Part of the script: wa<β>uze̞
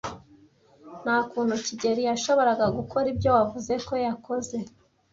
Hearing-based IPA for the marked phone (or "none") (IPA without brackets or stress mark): v